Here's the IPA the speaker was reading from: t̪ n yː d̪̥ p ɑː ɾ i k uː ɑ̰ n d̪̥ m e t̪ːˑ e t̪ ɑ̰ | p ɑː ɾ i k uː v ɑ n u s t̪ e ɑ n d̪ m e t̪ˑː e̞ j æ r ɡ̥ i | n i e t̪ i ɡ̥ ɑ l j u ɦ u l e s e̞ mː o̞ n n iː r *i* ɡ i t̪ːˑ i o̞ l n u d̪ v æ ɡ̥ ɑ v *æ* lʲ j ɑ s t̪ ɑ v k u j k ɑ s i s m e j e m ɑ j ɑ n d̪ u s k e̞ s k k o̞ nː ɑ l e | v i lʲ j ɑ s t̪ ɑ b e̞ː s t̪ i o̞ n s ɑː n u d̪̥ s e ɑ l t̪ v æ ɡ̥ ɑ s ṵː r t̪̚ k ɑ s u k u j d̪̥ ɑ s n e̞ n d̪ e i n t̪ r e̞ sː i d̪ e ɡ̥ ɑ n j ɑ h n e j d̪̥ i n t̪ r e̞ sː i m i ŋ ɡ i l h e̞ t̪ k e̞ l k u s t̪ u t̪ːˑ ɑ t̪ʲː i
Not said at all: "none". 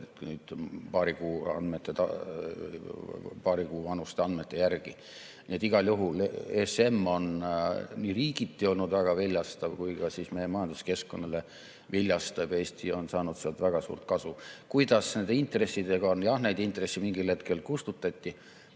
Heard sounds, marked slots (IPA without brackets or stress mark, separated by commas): iː, i